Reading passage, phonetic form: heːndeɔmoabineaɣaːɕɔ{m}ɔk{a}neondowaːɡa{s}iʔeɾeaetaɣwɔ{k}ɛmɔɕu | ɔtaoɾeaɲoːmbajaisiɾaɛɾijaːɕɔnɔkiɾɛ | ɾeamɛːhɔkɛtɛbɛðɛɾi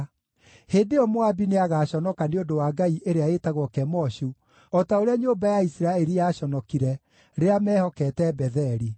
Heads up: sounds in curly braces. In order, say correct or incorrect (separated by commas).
incorrect, correct, incorrect, correct